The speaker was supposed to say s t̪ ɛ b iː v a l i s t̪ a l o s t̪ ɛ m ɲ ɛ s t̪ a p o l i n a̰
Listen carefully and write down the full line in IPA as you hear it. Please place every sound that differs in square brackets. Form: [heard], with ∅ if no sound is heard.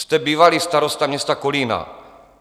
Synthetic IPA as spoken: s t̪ ɛ b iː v a l i s t̪ a [ɾ] o s t̪ [a] m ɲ ɛ s t̪ a [k] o l i n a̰